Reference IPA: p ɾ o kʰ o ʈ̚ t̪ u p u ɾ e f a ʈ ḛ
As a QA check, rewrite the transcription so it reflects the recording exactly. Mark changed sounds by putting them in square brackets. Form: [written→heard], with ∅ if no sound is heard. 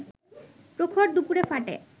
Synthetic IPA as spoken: p ɾ o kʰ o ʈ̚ [t̪→d̪] u p u ɾ e f a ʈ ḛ